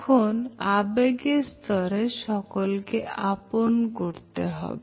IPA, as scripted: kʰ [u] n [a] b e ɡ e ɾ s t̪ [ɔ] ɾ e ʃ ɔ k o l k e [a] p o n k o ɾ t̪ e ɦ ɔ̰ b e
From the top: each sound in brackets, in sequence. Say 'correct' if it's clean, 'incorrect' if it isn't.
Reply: incorrect, correct, correct, correct

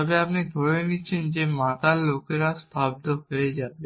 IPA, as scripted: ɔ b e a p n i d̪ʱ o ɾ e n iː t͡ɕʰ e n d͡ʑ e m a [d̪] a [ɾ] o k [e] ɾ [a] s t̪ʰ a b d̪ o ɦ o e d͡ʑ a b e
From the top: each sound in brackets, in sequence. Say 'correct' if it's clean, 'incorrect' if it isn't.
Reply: incorrect, incorrect, correct, correct

